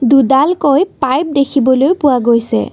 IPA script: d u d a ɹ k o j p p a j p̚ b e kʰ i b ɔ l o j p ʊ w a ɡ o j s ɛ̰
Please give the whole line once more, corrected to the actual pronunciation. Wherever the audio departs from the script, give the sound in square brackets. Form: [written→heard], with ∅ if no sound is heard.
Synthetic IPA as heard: d u d a [ɹ→l] k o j p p a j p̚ [b→d] e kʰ i b ɔ l o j p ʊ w a ɡ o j s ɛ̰